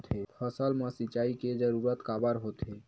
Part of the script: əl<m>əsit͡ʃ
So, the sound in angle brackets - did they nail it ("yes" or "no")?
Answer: yes